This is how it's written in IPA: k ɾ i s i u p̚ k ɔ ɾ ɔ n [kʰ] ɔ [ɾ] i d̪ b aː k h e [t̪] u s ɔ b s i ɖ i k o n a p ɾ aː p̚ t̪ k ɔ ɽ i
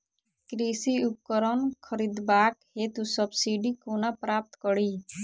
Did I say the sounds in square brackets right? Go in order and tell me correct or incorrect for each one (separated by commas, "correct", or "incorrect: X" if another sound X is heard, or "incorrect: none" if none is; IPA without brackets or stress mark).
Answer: correct, correct, correct